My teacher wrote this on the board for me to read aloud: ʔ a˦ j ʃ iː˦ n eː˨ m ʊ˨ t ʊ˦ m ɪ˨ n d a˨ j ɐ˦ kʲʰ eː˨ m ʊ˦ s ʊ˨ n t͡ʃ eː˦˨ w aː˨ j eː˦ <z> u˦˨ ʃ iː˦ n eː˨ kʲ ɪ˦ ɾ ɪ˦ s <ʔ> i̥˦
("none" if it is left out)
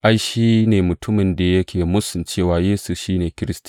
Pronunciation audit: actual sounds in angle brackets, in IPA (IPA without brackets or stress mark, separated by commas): s, t